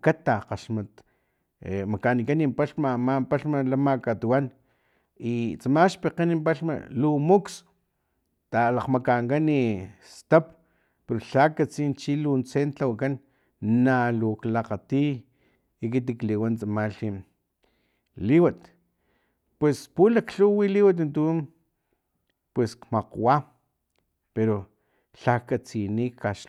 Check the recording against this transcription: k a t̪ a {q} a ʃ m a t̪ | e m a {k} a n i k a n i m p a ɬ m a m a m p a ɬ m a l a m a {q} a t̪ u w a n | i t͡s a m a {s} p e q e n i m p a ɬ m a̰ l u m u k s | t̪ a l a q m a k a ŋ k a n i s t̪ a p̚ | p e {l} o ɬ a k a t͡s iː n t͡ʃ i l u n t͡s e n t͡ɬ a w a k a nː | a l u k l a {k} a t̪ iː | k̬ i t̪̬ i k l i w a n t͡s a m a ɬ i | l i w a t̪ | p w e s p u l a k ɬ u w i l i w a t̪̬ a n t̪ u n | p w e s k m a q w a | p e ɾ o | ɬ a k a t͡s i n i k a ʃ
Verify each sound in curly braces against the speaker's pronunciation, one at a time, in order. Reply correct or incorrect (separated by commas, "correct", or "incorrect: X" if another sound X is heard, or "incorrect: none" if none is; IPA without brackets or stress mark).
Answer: correct, correct, incorrect: k, incorrect: ʃ, incorrect: ɾ, incorrect: q